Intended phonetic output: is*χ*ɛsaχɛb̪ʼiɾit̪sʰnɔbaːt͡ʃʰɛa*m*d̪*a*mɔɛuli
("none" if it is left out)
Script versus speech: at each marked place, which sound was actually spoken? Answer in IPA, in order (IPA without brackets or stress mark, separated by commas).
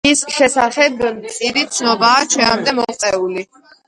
ʃ, m, ɛ